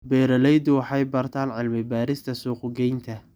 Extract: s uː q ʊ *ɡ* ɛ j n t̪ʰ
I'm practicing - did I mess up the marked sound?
no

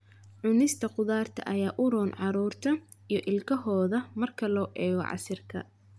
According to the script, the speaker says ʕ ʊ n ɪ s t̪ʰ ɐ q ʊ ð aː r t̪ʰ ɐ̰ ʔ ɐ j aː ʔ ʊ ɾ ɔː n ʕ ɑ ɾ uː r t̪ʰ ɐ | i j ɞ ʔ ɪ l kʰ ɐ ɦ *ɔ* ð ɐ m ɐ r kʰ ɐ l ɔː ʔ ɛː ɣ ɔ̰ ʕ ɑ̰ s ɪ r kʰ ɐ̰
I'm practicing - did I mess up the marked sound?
yes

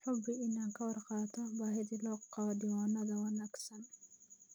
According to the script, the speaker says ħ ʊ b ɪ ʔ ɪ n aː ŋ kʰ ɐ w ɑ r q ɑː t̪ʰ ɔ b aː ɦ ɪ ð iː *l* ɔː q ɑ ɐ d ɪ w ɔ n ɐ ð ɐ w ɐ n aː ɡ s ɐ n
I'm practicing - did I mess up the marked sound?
no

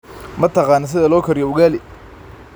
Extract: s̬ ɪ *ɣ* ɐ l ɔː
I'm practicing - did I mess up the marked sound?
yes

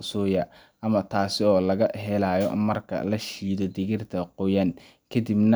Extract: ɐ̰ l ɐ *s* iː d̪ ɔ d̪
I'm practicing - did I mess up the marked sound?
yes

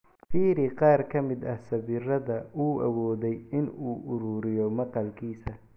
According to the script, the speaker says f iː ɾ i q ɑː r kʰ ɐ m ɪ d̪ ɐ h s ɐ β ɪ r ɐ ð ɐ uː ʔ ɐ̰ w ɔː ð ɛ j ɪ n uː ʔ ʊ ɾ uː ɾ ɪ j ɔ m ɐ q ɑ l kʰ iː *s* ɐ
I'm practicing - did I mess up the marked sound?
no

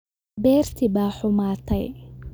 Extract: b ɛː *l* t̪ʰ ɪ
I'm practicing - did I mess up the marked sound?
yes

